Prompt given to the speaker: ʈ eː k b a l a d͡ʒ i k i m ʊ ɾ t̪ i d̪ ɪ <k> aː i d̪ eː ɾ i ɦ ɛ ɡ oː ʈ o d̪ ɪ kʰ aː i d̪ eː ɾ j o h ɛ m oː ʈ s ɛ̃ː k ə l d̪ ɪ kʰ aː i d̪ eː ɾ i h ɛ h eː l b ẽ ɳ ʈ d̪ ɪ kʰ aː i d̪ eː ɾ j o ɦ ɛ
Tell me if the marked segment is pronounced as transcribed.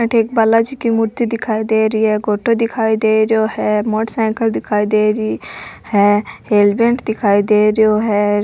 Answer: no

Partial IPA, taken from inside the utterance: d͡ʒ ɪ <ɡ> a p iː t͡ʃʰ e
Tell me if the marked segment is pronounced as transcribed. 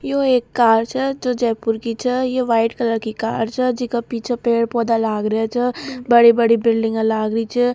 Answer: no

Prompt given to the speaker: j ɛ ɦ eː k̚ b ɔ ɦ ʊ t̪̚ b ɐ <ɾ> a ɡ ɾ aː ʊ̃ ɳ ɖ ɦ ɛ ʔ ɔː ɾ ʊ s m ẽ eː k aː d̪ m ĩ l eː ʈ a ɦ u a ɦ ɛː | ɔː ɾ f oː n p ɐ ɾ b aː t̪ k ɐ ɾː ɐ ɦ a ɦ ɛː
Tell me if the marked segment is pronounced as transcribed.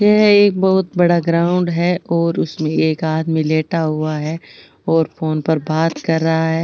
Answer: no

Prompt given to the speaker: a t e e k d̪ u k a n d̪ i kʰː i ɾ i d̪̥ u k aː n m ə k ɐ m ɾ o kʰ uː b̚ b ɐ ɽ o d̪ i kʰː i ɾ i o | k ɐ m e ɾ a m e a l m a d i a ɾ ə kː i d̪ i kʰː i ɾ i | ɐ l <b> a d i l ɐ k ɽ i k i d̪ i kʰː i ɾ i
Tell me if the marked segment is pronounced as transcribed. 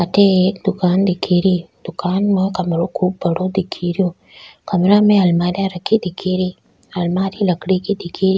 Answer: no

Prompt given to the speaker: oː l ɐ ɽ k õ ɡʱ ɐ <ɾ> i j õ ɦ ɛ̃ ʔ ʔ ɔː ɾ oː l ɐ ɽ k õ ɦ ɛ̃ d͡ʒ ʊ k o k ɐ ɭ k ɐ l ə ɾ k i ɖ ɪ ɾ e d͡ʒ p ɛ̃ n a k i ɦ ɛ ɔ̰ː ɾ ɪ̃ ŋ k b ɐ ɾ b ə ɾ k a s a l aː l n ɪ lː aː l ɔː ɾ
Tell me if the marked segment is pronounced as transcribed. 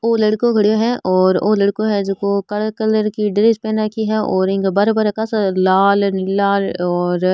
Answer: no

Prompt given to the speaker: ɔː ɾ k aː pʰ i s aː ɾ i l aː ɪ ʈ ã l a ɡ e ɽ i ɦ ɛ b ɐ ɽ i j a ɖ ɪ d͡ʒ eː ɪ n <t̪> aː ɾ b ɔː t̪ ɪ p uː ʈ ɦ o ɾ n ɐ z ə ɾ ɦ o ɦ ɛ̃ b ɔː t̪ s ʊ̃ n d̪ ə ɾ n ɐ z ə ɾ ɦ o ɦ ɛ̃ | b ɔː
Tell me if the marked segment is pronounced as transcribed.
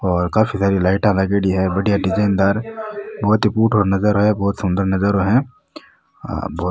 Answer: no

